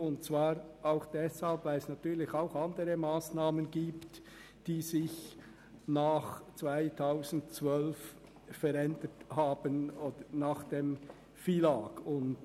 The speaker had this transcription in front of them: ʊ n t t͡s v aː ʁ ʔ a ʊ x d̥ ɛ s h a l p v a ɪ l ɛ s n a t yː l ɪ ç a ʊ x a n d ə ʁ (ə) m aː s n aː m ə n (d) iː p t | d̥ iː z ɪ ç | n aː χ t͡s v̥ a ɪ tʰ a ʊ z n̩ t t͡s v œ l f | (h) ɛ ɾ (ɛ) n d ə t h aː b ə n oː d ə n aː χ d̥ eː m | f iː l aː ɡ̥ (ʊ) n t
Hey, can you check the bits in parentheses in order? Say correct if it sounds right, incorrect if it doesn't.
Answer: correct, incorrect: ɡ, incorrect: f, correct, correct

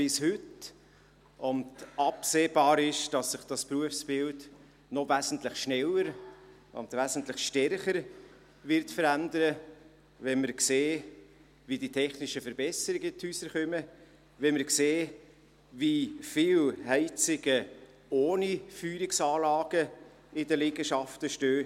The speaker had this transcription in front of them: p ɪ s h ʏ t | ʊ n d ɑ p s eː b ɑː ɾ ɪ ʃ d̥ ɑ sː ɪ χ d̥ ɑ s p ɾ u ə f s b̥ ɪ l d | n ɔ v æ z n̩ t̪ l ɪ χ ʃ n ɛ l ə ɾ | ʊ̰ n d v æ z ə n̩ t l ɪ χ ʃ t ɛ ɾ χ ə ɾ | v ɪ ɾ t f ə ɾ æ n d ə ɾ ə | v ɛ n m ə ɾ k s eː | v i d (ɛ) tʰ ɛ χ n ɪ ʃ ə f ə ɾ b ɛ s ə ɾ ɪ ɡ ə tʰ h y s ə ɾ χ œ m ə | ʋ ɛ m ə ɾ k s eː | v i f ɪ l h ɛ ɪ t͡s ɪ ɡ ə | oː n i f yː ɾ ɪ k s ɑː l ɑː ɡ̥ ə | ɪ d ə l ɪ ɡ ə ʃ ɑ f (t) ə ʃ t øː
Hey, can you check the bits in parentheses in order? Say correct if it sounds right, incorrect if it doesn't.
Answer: incorrect: i, correct

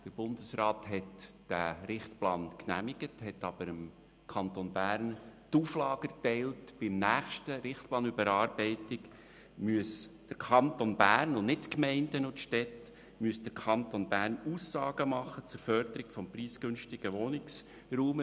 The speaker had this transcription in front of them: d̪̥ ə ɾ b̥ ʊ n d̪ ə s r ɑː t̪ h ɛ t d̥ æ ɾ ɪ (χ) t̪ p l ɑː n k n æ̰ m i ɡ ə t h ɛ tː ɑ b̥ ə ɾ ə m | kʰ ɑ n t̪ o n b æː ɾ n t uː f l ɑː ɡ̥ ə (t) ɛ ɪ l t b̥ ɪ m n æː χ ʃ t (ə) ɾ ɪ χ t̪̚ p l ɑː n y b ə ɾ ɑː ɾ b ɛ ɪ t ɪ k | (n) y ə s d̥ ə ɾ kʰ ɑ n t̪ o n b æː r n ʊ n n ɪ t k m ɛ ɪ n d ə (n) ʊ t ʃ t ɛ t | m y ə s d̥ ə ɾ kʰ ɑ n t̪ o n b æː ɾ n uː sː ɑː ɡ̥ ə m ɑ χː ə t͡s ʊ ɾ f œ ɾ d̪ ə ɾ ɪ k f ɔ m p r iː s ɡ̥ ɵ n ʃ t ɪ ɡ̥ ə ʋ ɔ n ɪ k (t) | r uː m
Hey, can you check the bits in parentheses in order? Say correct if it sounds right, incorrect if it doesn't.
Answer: correct, correct, correct, incorrect: m, correct, incorrect: s

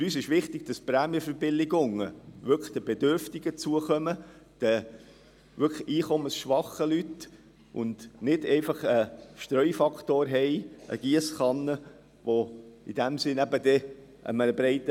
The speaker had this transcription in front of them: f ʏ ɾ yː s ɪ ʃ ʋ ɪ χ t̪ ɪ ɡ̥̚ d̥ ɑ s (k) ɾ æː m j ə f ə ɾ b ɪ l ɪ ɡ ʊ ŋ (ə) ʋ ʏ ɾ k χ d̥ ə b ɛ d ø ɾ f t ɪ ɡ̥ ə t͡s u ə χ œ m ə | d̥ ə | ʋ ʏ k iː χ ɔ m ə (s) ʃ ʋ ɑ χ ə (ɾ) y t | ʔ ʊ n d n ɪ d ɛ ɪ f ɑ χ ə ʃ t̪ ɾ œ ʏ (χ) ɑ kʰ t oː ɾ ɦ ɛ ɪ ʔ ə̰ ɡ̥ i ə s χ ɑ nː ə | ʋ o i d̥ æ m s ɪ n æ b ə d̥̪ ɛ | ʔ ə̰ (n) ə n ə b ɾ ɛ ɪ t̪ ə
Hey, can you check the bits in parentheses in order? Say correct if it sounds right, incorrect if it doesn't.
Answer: incorrect: p, correct, correct, incorrect: l, incorrect: f, incorrect: m

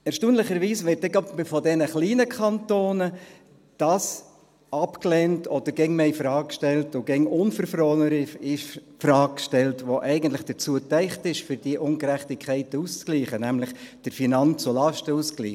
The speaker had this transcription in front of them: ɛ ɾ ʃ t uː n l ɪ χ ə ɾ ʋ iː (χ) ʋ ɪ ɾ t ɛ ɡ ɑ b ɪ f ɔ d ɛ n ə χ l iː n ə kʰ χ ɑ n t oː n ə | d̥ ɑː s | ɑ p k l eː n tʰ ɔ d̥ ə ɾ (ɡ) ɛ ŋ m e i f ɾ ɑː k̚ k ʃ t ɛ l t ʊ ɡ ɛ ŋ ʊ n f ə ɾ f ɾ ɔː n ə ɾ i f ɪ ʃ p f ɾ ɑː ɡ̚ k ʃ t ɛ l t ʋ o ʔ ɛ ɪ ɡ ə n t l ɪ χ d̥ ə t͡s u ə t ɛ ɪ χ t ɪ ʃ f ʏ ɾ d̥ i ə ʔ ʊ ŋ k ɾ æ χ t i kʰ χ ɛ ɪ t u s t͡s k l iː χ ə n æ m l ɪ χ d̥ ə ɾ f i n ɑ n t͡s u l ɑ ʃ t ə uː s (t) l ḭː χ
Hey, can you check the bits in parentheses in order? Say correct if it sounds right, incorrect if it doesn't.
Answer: incorrect: s, correct, incorrect: k

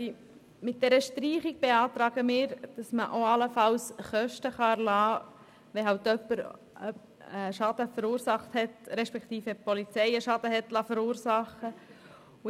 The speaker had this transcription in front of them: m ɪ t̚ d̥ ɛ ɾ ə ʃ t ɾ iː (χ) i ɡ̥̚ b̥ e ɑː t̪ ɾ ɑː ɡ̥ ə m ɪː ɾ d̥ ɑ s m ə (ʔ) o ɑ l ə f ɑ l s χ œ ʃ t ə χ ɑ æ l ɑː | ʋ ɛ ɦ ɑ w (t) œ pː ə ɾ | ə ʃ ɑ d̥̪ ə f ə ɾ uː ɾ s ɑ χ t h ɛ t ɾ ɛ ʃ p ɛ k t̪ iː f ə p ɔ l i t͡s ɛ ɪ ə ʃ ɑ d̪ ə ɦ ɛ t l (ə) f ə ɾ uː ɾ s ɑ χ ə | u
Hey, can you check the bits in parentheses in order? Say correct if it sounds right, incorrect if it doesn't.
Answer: correct, correct, correct, incorrect: ɑ

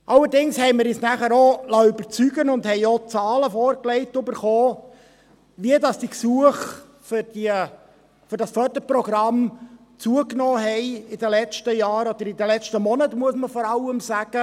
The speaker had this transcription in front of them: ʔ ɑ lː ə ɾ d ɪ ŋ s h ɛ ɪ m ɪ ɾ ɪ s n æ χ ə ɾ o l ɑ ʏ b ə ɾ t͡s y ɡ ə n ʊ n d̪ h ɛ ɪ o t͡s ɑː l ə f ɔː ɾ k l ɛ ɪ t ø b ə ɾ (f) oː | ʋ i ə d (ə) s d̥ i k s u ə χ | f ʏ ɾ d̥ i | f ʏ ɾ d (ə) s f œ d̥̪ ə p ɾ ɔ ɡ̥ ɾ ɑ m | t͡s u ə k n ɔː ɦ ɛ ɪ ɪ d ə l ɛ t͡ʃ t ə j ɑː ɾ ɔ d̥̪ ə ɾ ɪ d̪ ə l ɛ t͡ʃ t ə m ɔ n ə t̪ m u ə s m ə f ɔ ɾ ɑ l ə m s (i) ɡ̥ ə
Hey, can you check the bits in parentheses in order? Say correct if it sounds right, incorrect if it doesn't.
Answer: incorrect: χ, incorrect: ɑ, incorrect: ɑ, incorrect: æ

